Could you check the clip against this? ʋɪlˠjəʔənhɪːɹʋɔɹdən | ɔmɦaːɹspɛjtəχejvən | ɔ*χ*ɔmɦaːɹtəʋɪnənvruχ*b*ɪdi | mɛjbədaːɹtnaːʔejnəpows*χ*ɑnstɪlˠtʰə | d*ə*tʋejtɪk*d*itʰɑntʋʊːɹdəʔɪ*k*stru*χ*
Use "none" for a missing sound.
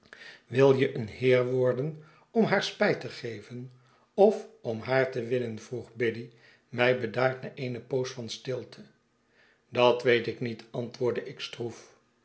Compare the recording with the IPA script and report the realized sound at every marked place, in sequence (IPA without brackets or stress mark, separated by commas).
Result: f, b, f, ɑ, n, k, f